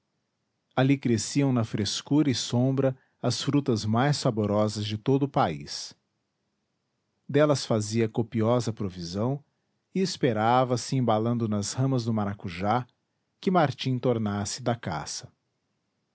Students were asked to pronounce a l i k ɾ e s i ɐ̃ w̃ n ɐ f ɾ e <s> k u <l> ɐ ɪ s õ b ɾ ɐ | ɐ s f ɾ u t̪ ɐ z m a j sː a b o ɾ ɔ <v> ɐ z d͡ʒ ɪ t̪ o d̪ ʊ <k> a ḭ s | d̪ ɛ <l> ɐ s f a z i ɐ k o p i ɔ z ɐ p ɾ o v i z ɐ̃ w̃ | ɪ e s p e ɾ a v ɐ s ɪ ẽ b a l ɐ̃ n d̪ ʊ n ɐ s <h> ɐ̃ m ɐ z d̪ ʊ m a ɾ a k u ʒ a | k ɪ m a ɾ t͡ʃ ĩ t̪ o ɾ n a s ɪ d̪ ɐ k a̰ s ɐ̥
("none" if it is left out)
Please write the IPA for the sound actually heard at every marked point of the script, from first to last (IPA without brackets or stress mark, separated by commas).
s, ɾ, z, p, l, h